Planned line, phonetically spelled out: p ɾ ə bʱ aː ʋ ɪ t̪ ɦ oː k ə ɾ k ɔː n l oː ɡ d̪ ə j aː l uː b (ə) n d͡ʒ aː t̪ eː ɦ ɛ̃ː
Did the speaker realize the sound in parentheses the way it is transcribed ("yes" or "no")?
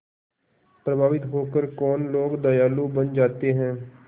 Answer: yes